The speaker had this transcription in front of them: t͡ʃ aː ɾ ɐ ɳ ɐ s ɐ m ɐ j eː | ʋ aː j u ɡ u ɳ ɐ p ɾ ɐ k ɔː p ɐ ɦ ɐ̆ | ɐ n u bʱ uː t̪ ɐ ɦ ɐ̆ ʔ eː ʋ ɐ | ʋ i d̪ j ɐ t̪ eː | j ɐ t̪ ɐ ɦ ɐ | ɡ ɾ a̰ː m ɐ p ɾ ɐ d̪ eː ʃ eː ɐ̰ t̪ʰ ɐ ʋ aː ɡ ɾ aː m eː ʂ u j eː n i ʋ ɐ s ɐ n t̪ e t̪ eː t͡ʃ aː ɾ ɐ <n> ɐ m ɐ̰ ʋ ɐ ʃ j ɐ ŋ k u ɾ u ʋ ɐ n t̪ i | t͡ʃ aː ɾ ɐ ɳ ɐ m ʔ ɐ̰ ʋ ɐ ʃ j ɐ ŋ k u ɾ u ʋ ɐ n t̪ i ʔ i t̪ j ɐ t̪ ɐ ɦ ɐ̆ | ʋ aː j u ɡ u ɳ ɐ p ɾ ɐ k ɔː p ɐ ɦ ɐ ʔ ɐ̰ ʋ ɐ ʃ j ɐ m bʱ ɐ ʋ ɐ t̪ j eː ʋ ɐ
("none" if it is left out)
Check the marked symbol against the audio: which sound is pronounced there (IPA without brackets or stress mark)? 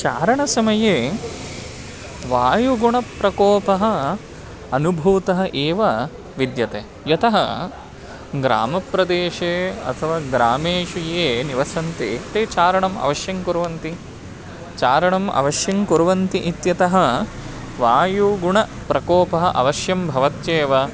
ɳ